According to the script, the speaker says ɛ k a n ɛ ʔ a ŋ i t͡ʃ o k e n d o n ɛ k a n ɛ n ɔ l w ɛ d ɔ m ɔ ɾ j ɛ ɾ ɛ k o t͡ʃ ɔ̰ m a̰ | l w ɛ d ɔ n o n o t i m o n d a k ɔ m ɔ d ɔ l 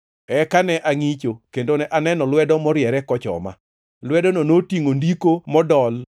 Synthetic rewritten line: ɛ k a n ɛ ʔ a ŋ i t͡ʃ o k e n d o n ɛ ʔ a n ɛ n ɔ l w ɛ d ɔ m ɔ ɾ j ɛ ɾ ɛ k ɔ t͡ʃ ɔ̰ m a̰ | l w ɛ d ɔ n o n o t i ŋ o n d i k o m ɔ d ɔ l